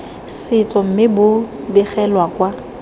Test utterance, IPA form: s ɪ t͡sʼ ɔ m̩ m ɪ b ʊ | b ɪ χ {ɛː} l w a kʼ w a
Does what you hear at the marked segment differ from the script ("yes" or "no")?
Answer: yes